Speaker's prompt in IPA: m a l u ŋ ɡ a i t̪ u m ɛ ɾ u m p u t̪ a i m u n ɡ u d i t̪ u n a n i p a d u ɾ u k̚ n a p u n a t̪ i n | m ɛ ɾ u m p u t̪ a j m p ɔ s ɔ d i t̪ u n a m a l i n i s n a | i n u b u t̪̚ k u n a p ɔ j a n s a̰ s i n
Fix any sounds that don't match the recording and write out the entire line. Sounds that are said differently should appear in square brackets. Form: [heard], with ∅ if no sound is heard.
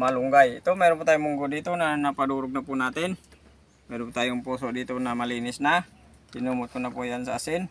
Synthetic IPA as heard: m a l u ŋ ɡ a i t̪ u m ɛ ɾ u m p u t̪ a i m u [ŋ] ɡ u d i t̪ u n a n [a] p a d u ɾ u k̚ n a p u n a t̪ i n | m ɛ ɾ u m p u t̪ a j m p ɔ s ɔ d i t̪ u n a m a l i n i s n a | i n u [m] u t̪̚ k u n a p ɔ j a n s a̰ s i n